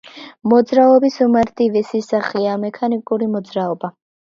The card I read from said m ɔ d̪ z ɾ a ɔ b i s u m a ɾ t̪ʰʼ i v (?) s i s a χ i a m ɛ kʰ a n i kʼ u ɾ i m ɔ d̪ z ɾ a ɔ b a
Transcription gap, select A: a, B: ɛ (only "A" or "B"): B